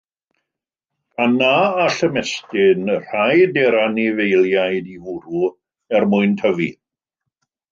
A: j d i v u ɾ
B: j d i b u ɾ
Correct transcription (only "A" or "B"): A